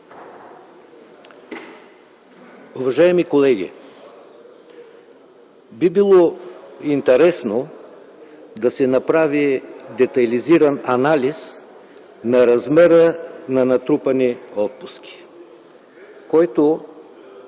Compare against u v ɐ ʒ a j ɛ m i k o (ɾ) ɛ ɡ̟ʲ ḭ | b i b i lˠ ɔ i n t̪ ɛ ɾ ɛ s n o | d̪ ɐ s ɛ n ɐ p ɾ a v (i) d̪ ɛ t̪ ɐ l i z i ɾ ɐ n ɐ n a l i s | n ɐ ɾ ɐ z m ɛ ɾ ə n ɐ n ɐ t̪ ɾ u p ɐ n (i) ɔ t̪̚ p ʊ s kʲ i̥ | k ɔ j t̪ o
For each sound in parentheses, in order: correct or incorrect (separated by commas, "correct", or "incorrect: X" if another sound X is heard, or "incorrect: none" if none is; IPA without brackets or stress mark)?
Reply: incorrect: l, correct, correct